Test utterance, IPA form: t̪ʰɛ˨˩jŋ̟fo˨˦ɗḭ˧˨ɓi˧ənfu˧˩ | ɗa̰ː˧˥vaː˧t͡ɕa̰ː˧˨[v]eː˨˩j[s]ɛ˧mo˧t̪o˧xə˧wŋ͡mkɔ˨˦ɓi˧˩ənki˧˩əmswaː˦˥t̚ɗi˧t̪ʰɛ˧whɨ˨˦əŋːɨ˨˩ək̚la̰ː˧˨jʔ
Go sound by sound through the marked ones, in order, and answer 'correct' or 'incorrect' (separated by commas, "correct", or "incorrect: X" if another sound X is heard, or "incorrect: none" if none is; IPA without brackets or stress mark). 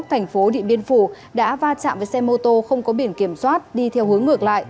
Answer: correct, correct